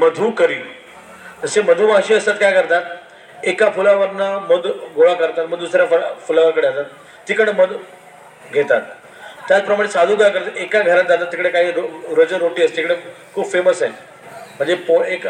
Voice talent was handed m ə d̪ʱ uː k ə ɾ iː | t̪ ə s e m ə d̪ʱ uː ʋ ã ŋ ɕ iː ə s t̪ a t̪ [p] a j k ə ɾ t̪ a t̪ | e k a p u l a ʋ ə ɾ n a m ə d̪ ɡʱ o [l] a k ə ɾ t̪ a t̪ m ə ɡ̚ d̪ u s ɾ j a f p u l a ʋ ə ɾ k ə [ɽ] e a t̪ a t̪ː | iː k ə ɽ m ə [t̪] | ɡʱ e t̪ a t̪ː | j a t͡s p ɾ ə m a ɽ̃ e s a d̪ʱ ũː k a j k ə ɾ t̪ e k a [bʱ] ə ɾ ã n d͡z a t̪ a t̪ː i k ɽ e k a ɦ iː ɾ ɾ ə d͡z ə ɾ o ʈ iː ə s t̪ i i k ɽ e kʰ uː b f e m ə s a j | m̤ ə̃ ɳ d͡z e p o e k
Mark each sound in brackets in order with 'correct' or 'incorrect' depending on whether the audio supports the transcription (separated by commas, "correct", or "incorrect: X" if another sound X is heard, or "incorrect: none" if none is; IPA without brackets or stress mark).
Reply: incorrect: k, incorrect: ɭ, correct, incorrect: d̪, incorrect: ɡʱ